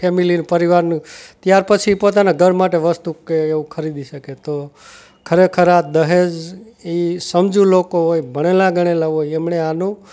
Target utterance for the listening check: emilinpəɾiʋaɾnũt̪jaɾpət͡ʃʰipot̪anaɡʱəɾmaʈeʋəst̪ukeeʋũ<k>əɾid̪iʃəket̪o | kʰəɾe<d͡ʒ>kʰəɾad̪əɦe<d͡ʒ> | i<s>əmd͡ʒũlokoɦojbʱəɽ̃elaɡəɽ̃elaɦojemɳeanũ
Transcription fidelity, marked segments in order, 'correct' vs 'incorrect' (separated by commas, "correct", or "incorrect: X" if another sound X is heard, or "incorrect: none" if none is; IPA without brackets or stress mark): incorrect: kʰ, incorrect: none, correct, correct